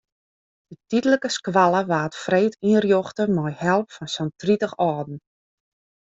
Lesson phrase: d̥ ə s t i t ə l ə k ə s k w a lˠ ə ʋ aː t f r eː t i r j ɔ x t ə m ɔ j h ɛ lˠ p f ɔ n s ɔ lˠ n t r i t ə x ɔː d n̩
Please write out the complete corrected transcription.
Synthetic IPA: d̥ ə t i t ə l ə k ə s k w a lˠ ə ʋ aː t f r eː t i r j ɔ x t ə m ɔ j h ɛ lˠ p f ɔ n s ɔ n t r i t ə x ɔː d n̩